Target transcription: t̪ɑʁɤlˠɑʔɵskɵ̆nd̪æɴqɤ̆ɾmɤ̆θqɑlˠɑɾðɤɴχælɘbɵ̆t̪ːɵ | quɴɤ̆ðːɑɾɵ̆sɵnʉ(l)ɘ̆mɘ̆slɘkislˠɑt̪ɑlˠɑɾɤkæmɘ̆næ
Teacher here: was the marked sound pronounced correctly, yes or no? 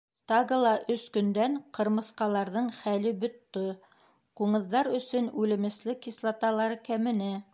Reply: yes